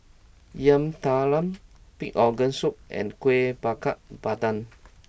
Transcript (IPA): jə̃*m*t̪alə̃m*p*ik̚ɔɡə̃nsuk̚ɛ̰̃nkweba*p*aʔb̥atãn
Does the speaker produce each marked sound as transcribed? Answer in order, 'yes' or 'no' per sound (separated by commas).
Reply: yes, yes, no